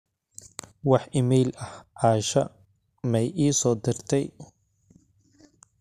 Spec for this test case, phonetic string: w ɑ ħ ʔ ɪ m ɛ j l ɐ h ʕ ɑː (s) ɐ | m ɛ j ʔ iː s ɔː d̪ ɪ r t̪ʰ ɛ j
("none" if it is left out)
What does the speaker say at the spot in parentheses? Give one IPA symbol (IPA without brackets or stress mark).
ʃ